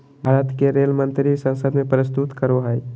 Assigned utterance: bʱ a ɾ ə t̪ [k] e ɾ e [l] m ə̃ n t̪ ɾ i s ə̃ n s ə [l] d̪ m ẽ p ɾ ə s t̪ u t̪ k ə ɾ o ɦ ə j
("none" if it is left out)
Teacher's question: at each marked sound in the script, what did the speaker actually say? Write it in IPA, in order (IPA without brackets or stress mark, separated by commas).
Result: k, l, none